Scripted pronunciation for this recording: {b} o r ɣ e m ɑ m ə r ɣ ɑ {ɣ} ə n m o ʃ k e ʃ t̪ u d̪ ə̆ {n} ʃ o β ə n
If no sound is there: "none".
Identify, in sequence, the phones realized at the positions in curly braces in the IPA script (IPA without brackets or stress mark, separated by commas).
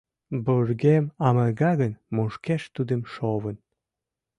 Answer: b, ɣ, m